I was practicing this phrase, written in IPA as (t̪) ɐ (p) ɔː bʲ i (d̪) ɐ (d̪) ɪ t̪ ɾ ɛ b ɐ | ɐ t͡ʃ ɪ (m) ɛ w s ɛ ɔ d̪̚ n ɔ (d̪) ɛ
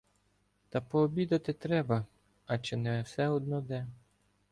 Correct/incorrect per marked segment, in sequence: correct, correct, correct, incorrect: t̪, incorrect: n, correct

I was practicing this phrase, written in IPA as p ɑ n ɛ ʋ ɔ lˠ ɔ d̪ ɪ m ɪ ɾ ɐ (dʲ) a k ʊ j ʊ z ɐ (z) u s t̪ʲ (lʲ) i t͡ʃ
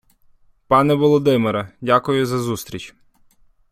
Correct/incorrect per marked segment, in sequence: correct, correct, incorrect: ɾʲ

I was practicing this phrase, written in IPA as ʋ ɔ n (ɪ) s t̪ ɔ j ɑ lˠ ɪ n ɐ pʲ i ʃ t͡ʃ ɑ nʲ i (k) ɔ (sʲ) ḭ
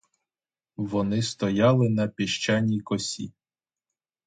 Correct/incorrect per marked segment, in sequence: correct, correct, correct

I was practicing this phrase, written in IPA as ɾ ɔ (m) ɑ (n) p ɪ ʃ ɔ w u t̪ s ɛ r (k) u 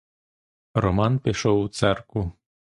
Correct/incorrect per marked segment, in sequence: correct, correct, correct

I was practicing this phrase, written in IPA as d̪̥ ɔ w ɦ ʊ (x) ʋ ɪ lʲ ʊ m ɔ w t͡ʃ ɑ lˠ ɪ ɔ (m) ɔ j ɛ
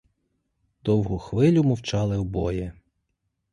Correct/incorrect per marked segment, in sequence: correct, incorrect: b

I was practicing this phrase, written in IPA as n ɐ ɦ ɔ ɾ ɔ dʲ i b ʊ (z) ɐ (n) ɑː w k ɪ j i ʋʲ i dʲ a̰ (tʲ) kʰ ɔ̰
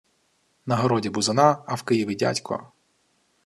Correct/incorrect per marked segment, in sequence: correct, correct, correct

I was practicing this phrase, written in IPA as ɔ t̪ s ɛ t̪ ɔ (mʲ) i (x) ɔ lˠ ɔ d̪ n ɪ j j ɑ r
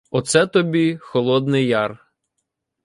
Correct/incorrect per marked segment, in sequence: incorrect: bʲ, correct

